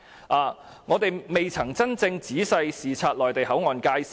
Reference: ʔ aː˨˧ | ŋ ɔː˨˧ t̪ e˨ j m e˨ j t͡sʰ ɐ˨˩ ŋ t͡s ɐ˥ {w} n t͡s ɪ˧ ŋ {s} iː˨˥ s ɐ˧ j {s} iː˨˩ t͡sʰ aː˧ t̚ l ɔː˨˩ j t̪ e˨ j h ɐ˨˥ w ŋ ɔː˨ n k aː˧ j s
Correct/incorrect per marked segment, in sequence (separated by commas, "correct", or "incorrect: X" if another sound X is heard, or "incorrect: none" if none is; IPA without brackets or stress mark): incorrect: none, incorrect: t͡s, correct